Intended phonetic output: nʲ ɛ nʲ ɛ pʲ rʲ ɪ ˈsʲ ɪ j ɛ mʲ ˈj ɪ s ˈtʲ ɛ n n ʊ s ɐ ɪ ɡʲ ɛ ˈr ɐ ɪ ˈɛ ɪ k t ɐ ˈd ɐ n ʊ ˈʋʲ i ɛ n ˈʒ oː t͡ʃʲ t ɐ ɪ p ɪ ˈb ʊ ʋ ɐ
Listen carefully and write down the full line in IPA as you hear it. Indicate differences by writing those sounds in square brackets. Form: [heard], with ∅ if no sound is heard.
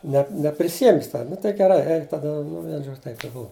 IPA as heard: nʲ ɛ nʲ ɛ pʲ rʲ ɪ ˈsʲ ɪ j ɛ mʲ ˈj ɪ s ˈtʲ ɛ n n ʊ [t] ɐ ɪ ɡʲ ɛ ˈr ɐ ɪ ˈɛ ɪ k t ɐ ˈd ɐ n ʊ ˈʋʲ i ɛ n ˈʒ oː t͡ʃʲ t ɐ ɪ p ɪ ˈb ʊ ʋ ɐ